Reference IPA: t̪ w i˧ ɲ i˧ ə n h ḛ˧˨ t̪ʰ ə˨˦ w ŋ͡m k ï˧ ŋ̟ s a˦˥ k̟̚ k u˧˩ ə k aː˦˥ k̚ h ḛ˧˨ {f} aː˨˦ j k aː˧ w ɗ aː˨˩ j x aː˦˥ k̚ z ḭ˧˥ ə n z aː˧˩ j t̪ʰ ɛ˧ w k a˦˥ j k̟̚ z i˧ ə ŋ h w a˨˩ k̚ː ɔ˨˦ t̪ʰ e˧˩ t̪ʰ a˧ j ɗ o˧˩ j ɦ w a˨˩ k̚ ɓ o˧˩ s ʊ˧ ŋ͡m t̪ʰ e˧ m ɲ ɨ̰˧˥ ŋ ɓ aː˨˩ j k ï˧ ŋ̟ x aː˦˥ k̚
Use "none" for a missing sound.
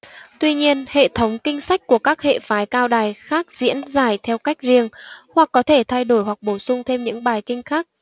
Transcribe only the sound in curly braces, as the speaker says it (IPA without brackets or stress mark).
f